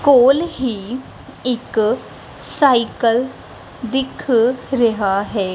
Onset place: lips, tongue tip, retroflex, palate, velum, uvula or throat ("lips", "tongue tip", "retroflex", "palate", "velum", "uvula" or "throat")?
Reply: velum